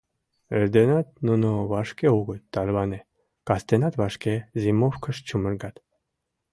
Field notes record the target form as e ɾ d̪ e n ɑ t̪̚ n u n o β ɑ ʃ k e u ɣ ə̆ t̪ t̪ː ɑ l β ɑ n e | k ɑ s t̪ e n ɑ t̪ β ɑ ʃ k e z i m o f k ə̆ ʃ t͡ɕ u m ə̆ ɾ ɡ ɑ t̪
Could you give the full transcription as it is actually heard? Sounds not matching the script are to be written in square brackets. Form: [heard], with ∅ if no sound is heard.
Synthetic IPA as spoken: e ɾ d̪ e n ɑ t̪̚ n u n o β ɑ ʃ k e u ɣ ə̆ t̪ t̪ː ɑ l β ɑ n e | k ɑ s t̪ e n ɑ t̪ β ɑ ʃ k e z i m o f k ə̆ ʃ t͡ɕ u m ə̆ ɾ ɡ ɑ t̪